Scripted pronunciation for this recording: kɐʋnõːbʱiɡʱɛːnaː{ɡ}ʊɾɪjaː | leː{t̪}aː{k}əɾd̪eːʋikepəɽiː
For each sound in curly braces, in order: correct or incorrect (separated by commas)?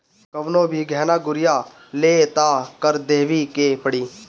correct, correct, correct